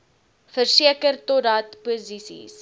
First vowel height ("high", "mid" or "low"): mid